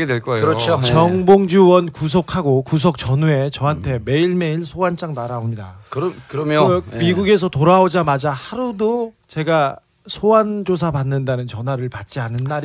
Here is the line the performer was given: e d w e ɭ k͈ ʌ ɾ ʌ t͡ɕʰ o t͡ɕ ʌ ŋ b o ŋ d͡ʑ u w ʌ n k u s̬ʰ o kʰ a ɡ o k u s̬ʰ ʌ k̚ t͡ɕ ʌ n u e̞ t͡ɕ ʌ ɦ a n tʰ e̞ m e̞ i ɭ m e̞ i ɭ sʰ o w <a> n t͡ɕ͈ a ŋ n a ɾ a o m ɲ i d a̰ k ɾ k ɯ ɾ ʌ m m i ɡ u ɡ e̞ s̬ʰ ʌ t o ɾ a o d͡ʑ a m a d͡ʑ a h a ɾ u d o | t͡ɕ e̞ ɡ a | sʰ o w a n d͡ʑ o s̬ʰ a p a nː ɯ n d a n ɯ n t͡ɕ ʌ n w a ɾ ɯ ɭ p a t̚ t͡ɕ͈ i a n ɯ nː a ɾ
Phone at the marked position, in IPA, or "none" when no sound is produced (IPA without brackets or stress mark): a